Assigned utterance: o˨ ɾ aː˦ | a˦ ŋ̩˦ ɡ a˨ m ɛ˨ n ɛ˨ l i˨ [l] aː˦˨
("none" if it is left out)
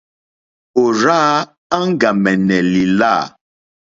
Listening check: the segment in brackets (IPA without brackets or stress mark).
l